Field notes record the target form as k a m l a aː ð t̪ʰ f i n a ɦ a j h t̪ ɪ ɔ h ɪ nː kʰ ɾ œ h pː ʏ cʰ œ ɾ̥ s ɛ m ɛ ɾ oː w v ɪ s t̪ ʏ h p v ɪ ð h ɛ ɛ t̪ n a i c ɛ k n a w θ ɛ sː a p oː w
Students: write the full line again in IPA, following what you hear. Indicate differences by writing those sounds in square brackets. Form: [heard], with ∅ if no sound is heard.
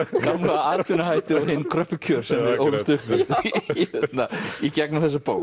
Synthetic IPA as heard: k a m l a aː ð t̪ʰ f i n a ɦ a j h t̪ ɪ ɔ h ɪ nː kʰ ɾ œ h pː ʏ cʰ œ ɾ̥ s ɛ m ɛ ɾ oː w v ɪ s t̪ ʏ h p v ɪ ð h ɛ ɛ t̪ n a i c ɛ k n a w θ ɛ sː a p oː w